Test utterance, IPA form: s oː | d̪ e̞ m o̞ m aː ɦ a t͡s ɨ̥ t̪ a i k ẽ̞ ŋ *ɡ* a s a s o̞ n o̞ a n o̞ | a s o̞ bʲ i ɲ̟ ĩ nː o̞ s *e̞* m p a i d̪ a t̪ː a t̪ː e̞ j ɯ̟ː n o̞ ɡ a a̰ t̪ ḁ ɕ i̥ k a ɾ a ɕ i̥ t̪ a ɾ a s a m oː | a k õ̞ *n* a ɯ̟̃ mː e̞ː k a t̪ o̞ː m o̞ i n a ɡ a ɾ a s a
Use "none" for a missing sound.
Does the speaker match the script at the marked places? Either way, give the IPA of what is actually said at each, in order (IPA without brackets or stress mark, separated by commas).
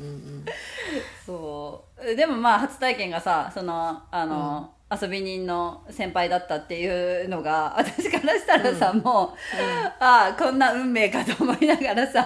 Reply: ɡ, ẽ̞, nː